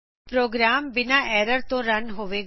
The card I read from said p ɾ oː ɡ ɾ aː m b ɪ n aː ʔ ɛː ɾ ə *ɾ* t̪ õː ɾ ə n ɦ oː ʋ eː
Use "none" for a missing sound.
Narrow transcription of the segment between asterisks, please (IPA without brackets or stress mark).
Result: ɾ